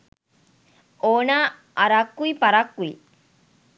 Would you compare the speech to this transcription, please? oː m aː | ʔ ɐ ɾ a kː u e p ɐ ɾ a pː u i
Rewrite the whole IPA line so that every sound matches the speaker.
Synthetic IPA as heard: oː n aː | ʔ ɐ ɾ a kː u i p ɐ ɾ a kː u i